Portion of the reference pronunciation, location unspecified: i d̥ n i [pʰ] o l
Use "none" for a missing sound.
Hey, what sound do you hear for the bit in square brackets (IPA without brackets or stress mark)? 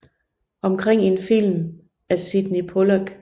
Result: pʰ